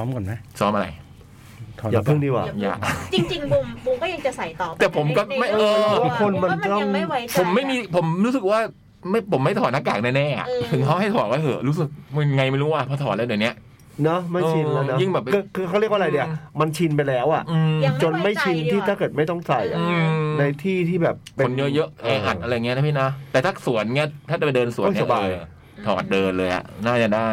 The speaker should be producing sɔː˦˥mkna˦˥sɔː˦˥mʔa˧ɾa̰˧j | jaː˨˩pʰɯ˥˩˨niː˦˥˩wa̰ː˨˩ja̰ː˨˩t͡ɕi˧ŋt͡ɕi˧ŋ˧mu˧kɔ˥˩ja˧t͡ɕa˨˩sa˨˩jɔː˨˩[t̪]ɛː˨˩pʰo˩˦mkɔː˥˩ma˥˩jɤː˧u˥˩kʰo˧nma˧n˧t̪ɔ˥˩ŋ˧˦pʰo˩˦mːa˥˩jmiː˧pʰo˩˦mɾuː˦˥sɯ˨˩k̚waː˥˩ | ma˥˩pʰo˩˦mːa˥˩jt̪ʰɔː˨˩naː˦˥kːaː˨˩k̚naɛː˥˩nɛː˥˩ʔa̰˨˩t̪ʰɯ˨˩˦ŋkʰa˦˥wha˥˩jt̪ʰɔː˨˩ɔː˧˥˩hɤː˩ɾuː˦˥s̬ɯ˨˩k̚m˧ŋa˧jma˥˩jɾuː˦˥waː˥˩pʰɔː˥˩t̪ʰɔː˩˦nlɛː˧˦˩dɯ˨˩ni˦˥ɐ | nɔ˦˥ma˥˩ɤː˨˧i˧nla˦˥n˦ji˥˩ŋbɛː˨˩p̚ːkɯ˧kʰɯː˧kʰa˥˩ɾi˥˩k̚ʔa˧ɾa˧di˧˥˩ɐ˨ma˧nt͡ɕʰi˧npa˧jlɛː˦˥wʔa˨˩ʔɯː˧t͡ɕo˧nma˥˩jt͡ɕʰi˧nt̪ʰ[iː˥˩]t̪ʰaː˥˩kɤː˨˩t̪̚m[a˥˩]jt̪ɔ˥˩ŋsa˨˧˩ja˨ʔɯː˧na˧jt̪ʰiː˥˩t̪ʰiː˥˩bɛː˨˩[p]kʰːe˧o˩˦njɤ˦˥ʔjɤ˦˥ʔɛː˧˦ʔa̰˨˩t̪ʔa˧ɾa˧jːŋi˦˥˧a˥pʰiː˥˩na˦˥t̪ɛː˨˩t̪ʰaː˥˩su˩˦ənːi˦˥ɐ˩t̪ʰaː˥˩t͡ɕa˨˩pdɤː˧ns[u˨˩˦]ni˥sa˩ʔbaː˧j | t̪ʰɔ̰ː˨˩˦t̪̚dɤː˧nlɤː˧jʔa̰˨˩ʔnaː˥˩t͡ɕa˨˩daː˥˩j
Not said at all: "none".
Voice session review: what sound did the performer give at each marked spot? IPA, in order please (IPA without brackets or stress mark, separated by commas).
t̪, iː˥˩, a˥˩, p, u˨˩˦